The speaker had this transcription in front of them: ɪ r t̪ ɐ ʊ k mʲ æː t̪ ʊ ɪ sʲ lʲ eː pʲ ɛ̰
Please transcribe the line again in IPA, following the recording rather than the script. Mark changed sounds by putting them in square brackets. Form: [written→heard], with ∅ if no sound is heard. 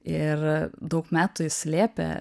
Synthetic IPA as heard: ɪ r [t̪→d̪] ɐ ʊ k mʲ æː t̪ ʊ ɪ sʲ lʲ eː pʲ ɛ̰

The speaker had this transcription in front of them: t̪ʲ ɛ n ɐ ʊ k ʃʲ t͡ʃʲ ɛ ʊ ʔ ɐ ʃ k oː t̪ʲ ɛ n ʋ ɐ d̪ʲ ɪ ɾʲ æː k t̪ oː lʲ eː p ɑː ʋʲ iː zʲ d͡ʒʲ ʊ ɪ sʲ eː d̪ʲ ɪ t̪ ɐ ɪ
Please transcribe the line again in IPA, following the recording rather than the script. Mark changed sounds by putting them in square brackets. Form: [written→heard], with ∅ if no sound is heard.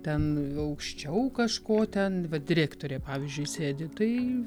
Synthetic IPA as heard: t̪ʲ ɛ n ɐ ʊ k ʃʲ t͡ʃʲ ɛ ʊ [ʔ→k] ɐ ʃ k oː t̪ʲ ɛ n ʋ ɐ d̪ʲ ɪ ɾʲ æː k t̪ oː [lʲ→ɾʲ] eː p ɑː ʋʲ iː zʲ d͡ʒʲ ʊ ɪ sʲ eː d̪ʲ ɪ t̪ ɐ ɪ

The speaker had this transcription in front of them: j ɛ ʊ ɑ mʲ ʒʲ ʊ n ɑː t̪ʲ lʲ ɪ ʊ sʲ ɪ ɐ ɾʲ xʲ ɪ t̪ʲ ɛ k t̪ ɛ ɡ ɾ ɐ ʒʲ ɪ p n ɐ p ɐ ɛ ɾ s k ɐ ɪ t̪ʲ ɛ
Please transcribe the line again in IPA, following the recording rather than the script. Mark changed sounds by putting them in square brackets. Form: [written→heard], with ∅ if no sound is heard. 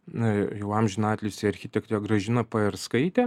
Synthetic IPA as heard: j ɛ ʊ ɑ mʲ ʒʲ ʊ n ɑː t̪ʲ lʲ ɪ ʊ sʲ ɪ ɐ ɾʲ xʲ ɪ t̪ʲ ɛ k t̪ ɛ ɡ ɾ ɐ ʒʲ ɪ [p→∅] n ɐ p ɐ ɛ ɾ s k ɐ ɪ t̪ʲ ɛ

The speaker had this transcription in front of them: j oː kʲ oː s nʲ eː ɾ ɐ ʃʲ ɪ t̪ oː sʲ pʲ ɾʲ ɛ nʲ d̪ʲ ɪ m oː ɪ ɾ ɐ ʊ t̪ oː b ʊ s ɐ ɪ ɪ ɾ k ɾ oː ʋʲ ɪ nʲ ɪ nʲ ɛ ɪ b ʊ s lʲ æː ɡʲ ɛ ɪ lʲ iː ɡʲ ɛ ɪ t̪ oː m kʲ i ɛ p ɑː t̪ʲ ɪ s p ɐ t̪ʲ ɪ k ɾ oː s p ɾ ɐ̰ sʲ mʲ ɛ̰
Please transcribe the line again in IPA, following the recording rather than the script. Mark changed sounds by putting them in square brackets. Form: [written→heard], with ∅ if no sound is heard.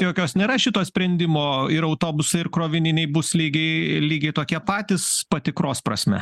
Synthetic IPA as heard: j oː kʲ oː s nʲ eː ɾ ɐ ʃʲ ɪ t̪ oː sʲ pʲ ɾʲ ɛ nʲ d̪ʲ ɪ m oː ɪ ɾ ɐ ʊ t̪ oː b ʊ s ɐ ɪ ɪ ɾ k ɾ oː ʋʲ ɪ nʲ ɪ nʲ ɛ ɪ b ʊ s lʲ [æː→iː] ɡʲ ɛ ɪ lʲ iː ɡʲ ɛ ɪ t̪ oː [m→∅] kʲ i ɛ p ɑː t̪ʲ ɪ s p ɐ t̪ʲ ɪ k ɾ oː s p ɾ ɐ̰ sʲ mʲ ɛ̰

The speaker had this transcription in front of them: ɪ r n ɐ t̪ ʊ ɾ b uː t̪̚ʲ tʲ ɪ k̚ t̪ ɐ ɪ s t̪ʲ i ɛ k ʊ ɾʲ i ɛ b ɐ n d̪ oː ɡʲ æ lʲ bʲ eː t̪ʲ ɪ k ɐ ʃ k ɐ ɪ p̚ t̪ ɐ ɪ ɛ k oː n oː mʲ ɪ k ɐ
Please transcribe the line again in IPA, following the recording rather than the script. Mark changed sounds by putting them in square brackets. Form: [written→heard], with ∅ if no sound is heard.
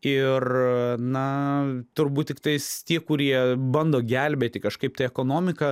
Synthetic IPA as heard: ɪ r n ɐ t̪ ʊ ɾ b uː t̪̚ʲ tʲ ɪ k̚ t̪ ɐ ɪ s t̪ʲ i ɛ k ʊ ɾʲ i ɛ b ɐ n d̪ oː ɡʲ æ lʲ bʲ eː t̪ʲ ɪ k ɐ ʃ k ɐ ɪ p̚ t̪ ɐ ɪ ɛ k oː n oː mʲ ɪ k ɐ

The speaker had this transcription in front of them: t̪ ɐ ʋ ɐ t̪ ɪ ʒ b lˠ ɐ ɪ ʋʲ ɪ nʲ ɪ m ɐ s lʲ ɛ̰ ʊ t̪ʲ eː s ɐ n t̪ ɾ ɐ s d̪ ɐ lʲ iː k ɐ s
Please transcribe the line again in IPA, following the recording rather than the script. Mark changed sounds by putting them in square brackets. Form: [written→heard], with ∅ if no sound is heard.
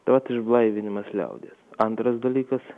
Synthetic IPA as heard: t̪ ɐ ʋ ɐ t̪ ɪ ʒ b lˠ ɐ ɪ ʋʲ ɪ nʲ ɪ m ɐ s lʲ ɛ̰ ʊ [t̪ʲ→d̪ʲ] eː s ɐ n t̪ ɾ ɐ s d̪ ɐ lʲ iː k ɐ s

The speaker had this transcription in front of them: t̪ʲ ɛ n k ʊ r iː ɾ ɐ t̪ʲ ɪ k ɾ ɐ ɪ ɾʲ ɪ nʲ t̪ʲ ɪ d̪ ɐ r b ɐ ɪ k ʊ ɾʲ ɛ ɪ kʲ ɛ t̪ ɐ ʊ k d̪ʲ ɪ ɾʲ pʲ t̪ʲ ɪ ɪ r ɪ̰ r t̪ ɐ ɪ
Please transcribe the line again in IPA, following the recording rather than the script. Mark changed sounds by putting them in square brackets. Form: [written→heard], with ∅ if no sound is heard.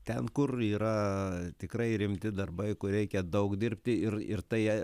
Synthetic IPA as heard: t̪ʲ ɛ n k ʊ r iː ɾ ɐ t̪ʲ ɪ k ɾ ɐ ɪ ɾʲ ɪ [nʲ→mʲ] t̪ʲ ɪ d̪ ɐ r b ɐ ɪ k ʊ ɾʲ ɛ ɪ kʲ ɛ [t̪→d̪] ɐ ʊ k d̪ʲ ɪ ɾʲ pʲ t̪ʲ ɪ ɪ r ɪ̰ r t̪ ɐ ɪ

